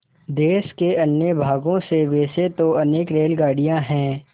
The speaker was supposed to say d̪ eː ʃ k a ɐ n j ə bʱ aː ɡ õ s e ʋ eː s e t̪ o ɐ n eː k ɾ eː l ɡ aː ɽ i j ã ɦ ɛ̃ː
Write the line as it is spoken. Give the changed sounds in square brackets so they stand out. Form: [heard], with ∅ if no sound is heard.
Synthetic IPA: d̪ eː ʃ k [e] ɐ n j ə bʱ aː ɡ õ s e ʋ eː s e t̪ o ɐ n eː k ɾ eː l ɡ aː ɽ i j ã ɦ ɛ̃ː